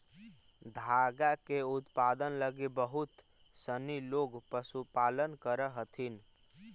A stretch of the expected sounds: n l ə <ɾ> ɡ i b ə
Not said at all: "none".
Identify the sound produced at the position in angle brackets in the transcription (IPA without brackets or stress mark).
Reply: none